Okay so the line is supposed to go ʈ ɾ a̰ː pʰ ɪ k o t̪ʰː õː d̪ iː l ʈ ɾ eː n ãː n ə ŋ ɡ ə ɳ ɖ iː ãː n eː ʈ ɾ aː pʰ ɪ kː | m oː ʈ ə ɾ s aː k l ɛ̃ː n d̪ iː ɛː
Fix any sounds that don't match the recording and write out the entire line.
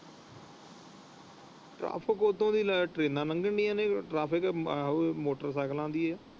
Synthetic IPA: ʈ ɾ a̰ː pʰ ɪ k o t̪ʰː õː d̪ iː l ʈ ɾ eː n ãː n ə ŋ ɡ ə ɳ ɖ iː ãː n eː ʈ ɾ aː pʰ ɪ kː | m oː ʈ ə ɾ s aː k l ãː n d̪ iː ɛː